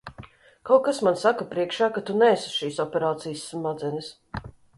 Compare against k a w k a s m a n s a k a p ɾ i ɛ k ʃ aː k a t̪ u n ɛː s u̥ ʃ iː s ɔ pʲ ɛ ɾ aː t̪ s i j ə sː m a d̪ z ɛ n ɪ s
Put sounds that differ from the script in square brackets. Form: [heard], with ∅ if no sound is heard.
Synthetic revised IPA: k a w k a s m a n s a k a p ɾ i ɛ k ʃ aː k a t̪ u n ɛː s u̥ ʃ iː s ɔ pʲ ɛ ɾ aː t̪ s i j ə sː m a d̪ z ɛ n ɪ s